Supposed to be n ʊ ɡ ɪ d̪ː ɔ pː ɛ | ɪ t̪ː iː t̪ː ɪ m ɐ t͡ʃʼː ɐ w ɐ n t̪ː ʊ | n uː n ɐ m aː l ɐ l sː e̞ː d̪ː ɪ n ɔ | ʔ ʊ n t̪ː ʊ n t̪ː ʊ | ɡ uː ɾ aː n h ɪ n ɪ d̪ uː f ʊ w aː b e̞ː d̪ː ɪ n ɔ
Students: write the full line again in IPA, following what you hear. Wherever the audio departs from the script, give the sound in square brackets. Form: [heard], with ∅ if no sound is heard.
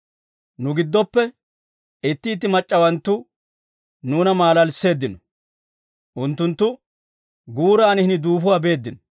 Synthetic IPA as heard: n ʊ ɡ ɪ d̪ː ɔ pː ɛ | ɪ t̪ː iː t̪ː ɪ m ɐ t͡ʃʼː ɐ w ɐ n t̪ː ʊ | n uː n ɐ m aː l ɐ l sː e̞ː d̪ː ɪ n ɔ | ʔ ʊ n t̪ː ʊ n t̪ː ʊ | ɡ uː ɾ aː n h ɪ n ɪ d̪ uː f ʊ w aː b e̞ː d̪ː ɪ n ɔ